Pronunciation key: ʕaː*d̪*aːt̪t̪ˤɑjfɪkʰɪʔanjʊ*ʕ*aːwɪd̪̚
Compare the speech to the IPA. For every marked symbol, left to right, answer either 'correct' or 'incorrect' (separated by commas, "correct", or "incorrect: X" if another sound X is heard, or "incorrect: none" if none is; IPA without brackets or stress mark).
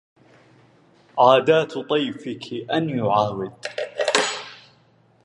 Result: correct, correct